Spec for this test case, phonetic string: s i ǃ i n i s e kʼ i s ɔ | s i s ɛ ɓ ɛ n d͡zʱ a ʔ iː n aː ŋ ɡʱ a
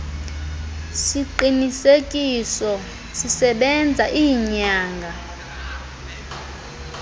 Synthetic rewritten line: s i ǃ i n i s e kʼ i s ɔ | s i s ɛ ɓ ɛ n d͡zʱ a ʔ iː ɲ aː ŋ ɡʱ a